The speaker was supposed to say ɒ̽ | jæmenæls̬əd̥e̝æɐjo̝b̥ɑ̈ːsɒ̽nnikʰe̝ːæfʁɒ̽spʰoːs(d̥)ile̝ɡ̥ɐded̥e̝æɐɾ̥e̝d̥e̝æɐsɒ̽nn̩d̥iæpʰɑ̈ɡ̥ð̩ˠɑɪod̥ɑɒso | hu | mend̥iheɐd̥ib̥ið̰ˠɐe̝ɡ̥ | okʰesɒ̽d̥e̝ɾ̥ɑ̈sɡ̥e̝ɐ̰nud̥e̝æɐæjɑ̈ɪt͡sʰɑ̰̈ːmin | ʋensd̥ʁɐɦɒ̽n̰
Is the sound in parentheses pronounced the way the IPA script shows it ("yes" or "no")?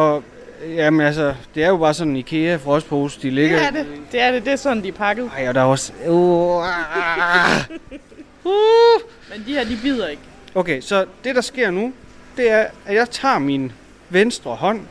yes